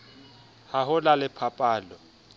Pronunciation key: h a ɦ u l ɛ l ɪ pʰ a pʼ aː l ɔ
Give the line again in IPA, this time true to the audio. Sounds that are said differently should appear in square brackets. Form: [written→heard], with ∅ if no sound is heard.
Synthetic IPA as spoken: h a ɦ [u→ʊ] l [ɛ→a] l ɪ pʰ a pʼ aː l ɔ

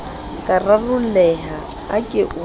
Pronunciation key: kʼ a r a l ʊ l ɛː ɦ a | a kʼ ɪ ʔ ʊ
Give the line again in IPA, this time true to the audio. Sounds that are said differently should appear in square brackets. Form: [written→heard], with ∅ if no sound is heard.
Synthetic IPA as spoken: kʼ a r a [l→r] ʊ l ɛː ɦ a | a kʼ ɪ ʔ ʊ

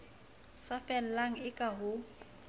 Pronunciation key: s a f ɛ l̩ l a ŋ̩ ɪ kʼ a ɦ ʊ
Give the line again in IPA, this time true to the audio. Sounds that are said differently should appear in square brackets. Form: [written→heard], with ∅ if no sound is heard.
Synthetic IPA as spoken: s a f ɛ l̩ l a ŋ̩ ɪ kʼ a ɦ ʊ

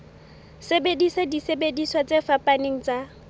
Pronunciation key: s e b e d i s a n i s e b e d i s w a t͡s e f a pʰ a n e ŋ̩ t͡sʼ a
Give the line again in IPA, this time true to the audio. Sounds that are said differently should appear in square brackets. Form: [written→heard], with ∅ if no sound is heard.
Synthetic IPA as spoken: s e b e d i s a [n→d] i s e b e d i s w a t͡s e f a [pʰ→p] a n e ŋ̩ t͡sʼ a

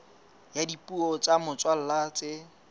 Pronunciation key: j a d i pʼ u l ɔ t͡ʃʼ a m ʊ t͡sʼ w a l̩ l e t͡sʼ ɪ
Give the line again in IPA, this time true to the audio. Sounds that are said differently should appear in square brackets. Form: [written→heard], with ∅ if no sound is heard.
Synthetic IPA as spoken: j a d i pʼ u [l→∅] ɔ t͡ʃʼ a m ʊ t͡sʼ w a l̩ l [e→a] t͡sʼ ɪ

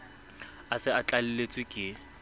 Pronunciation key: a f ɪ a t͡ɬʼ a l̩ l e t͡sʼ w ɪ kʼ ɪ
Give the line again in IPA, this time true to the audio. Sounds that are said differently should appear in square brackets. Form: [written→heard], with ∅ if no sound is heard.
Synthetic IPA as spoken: a [f→s] ɪ a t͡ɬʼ a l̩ l e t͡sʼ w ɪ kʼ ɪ

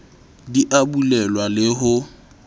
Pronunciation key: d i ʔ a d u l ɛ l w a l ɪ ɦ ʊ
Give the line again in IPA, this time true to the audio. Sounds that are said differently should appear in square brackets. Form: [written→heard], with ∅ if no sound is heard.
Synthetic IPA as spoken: d i ʔ a [d→b] u l ɛ l w a l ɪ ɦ ʊ

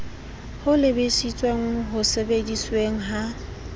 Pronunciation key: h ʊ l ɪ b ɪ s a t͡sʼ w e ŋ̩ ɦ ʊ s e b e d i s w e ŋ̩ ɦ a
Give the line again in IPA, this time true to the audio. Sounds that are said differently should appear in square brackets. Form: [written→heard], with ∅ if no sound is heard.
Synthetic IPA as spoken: h ʊ l ɪ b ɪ s [a→i] t͡sʼ w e ŋ̩ ɦ ʊ s e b e d i s w e ŋ̩ ɦ a

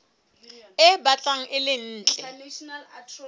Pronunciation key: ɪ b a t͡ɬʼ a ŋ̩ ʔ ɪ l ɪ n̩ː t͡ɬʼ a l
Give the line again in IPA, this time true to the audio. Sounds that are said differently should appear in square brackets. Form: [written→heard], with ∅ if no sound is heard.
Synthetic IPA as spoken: ɪ b a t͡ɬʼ a ŋ̩ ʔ ɪ l ɪ n̩ː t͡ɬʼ [a→ɛ] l

